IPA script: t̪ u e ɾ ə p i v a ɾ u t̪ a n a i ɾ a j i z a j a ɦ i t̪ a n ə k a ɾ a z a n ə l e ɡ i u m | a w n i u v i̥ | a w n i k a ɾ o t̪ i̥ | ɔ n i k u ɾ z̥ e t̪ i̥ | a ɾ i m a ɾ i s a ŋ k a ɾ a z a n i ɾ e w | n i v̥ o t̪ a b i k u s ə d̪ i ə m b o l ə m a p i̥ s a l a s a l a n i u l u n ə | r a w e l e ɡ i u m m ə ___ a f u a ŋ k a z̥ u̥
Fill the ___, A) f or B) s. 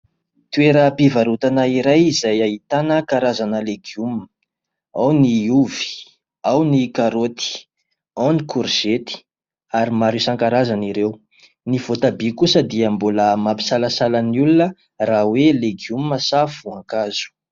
B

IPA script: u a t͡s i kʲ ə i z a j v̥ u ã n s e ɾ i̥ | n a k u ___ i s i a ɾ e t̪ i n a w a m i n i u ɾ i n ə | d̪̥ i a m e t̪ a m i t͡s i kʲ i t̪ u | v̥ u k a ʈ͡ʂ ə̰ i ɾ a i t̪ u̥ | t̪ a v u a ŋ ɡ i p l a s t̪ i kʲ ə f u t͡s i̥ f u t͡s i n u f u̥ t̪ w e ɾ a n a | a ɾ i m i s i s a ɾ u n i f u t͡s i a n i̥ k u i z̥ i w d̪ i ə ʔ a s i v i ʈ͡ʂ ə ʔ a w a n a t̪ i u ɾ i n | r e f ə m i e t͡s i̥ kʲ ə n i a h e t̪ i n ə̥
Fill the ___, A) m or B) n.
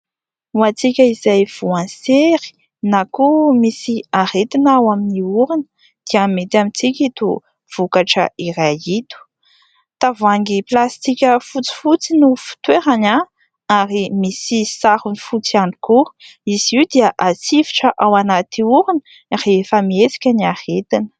A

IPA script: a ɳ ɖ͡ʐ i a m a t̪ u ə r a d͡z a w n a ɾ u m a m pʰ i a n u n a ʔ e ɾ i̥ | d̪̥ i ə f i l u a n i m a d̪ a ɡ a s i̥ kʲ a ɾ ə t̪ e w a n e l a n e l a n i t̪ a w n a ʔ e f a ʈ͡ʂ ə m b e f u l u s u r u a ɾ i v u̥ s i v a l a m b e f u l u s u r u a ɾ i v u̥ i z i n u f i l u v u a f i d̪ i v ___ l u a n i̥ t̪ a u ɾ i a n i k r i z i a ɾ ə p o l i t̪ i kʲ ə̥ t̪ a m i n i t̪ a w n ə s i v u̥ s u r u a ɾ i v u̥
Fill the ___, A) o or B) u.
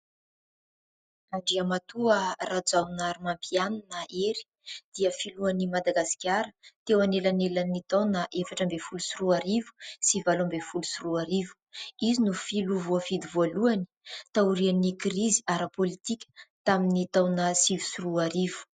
A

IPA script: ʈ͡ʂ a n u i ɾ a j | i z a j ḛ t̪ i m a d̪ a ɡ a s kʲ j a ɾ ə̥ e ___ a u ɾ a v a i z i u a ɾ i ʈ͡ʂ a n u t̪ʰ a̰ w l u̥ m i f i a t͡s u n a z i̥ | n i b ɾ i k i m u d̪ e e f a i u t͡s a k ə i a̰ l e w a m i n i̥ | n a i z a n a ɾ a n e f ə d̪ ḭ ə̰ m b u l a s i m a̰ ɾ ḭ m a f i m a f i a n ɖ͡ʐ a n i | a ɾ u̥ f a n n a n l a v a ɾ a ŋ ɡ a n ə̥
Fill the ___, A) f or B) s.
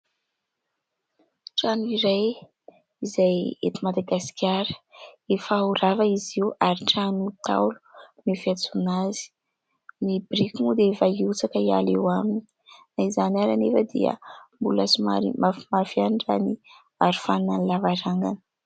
A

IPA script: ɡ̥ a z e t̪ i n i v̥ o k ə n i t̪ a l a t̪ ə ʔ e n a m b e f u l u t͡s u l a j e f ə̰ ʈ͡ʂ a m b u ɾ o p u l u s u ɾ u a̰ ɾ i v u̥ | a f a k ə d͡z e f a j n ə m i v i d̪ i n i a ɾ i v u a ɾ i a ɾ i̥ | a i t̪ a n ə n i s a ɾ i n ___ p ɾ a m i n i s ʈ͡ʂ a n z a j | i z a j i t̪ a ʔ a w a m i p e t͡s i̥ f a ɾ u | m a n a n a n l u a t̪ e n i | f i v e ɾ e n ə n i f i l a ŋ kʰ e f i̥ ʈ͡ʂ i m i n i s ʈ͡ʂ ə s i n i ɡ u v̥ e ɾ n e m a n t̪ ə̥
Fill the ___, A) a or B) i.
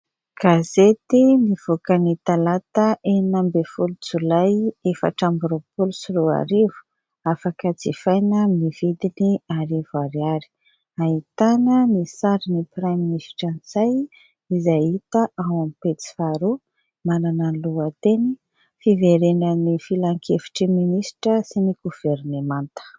B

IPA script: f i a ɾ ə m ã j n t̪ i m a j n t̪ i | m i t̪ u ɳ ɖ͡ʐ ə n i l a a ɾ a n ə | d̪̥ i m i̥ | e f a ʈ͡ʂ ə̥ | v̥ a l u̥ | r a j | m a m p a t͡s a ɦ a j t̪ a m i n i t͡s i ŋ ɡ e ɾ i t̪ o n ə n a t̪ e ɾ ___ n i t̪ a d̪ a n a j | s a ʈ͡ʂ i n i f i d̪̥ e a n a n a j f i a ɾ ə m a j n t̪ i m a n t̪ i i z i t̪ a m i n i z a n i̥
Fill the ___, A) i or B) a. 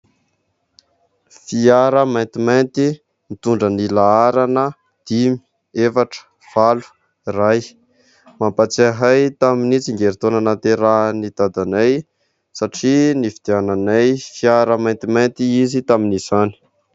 B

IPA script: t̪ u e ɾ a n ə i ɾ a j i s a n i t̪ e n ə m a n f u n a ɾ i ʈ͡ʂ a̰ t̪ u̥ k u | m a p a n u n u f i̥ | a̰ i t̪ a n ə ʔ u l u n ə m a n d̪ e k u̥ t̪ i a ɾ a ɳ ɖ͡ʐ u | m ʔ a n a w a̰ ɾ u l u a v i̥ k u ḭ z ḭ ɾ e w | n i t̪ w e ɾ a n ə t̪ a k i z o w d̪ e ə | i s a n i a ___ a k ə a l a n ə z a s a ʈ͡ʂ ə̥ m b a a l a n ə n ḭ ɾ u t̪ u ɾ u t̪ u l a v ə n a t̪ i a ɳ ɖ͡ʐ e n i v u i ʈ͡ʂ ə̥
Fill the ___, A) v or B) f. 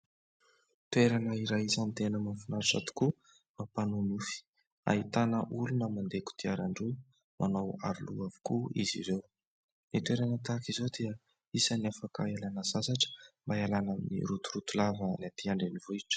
B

